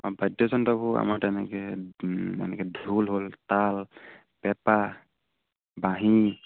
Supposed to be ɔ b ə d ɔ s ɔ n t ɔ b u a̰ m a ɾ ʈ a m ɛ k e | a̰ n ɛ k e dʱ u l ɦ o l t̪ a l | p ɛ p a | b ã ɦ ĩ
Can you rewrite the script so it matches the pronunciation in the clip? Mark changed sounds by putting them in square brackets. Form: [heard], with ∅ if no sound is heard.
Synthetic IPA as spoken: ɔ b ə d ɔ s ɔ n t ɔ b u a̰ m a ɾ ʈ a [n] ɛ k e | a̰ n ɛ k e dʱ u l ɦ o l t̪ a l | p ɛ p a | b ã ɦ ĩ